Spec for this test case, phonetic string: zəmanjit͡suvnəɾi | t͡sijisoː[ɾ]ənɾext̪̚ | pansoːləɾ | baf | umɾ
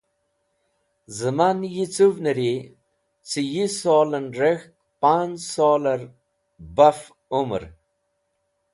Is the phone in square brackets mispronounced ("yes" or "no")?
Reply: yes